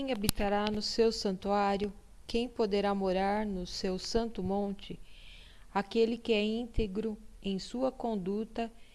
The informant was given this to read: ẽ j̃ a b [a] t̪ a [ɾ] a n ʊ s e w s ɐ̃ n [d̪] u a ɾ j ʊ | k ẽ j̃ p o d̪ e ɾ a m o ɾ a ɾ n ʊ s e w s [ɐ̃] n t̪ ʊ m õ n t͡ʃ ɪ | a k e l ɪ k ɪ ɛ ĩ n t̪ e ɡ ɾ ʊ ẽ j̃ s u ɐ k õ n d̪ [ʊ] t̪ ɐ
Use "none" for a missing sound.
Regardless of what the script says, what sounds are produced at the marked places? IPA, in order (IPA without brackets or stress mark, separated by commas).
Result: i, ɾ, t̪, ɐ̃, u